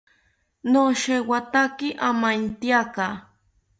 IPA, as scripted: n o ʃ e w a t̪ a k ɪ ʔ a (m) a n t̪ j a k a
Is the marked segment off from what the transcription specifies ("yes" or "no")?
no